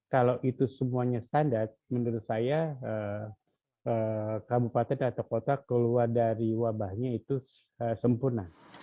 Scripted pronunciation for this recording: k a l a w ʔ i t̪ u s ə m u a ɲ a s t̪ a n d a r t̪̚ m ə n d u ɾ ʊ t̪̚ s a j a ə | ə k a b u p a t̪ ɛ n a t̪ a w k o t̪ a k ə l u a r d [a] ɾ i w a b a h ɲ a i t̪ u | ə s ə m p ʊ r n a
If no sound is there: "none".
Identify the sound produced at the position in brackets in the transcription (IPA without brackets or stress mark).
a